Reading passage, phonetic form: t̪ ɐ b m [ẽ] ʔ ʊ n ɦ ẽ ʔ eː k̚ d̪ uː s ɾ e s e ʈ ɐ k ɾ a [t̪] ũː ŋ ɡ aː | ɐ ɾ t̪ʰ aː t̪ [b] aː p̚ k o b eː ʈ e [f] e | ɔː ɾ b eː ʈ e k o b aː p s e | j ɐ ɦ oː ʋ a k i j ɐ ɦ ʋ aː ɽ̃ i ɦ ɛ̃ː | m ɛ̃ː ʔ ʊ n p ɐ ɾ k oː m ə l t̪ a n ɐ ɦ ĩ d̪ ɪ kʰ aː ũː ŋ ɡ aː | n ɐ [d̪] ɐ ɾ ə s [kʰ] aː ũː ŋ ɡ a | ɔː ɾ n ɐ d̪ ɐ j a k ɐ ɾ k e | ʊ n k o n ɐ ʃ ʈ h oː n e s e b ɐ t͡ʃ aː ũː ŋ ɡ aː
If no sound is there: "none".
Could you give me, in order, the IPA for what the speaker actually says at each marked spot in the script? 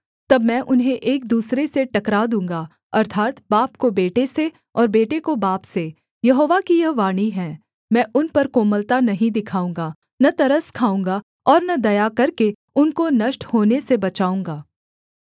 ɛ̃, d̪, b, s, t̪, kʰ

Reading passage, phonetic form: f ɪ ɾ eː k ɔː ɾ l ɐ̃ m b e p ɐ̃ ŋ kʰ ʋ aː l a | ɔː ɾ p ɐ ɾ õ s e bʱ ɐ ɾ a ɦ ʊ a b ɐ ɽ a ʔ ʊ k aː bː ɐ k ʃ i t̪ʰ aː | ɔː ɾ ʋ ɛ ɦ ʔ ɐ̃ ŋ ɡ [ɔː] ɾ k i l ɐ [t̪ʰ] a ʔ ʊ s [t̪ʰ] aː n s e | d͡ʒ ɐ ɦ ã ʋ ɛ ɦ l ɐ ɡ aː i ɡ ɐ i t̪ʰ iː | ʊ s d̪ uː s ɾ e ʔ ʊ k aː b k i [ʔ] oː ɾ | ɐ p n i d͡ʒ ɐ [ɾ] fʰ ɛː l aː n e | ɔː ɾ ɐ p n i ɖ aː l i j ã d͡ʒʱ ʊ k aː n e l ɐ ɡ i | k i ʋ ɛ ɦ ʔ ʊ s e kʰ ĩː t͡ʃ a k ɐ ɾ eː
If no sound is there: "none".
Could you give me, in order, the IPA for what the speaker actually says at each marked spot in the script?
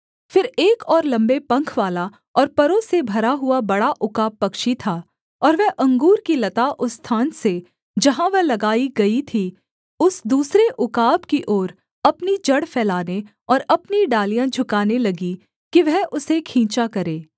uː, t̪, t̪ʰ, ʔ, ɽ

